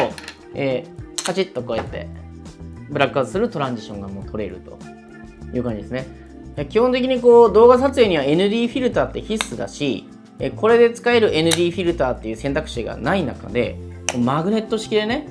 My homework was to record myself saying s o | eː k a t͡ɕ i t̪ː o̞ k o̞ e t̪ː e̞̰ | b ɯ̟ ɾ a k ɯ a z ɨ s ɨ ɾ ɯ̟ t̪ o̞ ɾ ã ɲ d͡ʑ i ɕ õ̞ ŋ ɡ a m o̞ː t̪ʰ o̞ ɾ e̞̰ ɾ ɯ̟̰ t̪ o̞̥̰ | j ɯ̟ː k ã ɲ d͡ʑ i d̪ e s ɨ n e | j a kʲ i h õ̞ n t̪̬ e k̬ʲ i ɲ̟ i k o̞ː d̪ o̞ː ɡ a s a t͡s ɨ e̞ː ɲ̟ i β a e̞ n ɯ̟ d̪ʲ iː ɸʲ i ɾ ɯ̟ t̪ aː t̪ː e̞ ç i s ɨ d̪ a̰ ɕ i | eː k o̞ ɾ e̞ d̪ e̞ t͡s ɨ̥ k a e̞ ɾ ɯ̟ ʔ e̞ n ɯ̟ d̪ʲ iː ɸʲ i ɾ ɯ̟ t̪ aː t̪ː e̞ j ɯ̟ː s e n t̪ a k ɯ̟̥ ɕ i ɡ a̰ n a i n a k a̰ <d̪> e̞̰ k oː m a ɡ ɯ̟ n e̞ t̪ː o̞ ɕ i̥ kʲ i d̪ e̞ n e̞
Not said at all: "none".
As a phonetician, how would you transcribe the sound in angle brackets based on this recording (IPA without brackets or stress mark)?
d̪